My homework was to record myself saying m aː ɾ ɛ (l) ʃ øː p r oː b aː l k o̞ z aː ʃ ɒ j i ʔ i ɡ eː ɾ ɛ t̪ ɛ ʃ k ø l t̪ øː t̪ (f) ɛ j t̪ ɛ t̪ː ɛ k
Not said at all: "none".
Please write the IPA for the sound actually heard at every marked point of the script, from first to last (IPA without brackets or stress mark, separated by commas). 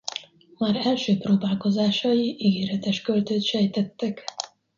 l, ʃ